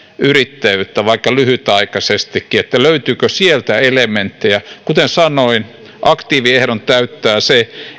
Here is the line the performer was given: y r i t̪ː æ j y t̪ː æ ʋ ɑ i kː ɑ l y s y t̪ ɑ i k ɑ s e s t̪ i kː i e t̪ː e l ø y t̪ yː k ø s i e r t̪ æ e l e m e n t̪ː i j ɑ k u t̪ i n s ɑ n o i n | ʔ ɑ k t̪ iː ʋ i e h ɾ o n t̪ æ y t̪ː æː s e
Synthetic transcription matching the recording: y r i t̪ː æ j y t̪ː æ ʋ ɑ i kː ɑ l y h y t̪ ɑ i k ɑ s e s t̪ i kː i e t̪ː æ l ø y t̪ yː k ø s i e l t̪ æ e l e m e n t̪ː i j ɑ k u t̪ e n s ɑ n o i n | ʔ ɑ k t̪ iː ʋ i e h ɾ o n t̪ æ y t̪ː æː s e